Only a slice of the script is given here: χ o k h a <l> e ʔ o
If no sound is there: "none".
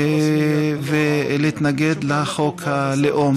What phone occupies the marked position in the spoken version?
l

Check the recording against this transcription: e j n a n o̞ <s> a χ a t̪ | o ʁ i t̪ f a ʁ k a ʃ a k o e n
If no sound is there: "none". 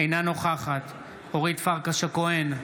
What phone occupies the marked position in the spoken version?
χ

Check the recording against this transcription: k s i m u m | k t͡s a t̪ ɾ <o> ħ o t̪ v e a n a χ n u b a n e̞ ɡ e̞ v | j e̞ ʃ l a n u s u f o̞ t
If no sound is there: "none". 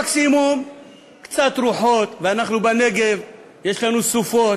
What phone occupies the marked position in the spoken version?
u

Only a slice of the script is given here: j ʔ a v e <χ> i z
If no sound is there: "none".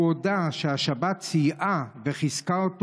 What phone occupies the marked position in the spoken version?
χ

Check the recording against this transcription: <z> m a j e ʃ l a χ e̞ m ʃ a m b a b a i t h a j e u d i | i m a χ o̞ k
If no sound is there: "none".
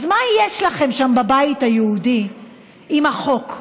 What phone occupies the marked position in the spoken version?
z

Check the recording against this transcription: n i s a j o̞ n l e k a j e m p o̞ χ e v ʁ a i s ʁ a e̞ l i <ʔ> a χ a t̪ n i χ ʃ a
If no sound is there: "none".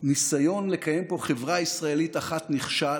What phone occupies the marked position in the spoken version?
t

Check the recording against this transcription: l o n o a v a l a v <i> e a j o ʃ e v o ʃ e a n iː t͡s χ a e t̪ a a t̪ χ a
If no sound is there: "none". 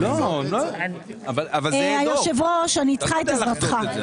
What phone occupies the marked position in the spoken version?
a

